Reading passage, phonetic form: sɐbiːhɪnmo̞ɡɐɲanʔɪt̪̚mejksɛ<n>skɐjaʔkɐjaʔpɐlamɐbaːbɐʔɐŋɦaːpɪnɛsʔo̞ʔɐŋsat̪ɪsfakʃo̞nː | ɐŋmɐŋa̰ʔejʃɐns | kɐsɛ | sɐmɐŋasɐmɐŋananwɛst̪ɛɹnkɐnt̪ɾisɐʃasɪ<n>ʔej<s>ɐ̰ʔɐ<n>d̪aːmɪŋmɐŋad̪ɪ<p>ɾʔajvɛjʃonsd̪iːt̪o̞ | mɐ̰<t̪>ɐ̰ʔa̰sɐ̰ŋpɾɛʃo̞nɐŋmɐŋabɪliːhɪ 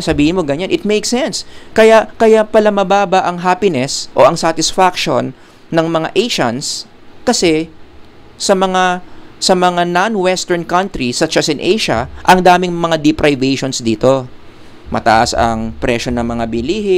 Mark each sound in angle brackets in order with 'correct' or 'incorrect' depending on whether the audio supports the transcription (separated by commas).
correct, correct, incorrect, incorrect, correct, correct